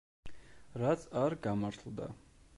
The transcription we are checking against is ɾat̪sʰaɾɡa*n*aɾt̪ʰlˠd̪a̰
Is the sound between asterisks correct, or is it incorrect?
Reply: incorrect